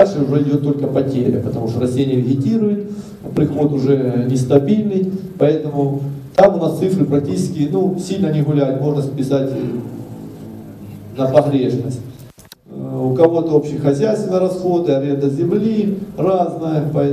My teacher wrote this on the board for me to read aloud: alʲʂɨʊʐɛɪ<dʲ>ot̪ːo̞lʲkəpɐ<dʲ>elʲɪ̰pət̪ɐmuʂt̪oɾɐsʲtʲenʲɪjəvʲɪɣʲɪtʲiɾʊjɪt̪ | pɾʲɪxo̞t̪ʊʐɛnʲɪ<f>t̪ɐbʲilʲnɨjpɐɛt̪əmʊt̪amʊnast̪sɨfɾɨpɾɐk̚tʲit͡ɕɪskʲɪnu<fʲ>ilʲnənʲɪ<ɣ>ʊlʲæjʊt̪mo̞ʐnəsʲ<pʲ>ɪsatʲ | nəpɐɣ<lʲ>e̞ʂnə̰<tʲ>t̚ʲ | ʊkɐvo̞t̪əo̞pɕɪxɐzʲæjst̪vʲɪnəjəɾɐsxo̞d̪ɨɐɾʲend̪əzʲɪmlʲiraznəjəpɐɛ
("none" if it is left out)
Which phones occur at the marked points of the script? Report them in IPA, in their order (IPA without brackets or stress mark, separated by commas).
dʲ, tʲ, s, sʲ, ɣ, pʲ, ɾʲ, sʲ